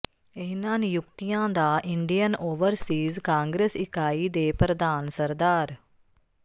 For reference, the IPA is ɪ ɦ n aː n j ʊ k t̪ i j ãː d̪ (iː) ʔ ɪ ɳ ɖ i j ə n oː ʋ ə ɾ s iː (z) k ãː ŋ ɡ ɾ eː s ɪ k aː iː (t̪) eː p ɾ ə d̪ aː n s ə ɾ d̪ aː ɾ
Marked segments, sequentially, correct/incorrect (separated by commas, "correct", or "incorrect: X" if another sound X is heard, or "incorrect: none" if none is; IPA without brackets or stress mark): incorrect: aː, correct, incorrect: d̪